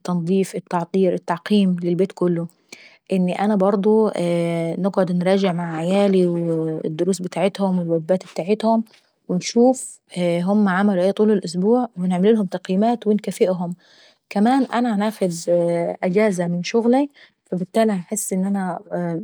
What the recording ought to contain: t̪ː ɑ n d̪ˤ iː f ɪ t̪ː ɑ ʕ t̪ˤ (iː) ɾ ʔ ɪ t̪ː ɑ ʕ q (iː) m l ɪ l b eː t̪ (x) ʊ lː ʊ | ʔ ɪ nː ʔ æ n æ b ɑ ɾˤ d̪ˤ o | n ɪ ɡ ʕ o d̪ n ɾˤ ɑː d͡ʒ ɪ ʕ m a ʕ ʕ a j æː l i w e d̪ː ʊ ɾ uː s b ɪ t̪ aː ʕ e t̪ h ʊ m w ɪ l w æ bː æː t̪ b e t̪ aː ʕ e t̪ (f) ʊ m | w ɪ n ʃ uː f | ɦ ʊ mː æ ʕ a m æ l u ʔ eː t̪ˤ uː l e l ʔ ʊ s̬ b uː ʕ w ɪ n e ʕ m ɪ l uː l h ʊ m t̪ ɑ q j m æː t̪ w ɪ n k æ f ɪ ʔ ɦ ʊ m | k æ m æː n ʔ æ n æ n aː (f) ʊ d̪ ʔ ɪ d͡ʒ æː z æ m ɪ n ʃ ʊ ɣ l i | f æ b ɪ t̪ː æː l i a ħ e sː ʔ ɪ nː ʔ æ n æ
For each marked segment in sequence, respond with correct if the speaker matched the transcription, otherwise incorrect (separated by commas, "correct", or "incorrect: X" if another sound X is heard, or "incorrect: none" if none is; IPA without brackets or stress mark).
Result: correct, correct, incorrect: k, incorrect: h, incorrect: x